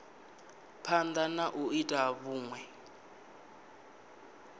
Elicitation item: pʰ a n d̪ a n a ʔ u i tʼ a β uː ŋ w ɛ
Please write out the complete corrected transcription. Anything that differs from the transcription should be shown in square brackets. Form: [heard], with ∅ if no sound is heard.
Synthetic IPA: pʰ a n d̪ a n a ʔ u i tʼ a β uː ŋ w ɛ